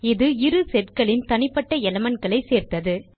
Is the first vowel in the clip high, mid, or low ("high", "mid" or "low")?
high